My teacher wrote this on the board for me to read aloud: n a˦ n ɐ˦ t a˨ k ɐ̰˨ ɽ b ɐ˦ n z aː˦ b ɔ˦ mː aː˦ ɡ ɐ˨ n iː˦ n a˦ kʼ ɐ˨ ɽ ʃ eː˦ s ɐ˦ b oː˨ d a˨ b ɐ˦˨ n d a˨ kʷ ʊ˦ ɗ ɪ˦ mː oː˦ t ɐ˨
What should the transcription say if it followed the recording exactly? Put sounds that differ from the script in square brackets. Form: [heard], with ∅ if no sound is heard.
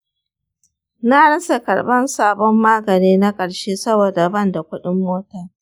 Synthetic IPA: n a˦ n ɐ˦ [s] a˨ k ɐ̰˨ ɽ b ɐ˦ n [s] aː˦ b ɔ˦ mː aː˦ ɡ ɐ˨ n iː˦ n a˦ kʼ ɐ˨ ɽ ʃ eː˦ s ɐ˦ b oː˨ d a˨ b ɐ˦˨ n d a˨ kʷ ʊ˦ ɗ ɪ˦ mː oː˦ t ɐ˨